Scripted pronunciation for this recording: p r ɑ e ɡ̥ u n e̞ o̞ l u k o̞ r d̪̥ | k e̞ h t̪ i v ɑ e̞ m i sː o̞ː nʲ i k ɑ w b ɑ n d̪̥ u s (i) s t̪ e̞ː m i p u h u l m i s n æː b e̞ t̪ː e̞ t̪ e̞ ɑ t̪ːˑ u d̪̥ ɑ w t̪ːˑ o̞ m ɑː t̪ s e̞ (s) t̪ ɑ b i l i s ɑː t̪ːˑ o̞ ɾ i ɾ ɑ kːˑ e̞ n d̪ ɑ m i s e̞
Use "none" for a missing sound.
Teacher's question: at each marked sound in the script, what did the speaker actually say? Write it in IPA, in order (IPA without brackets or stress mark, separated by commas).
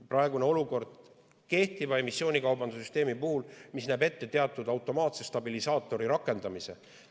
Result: y, s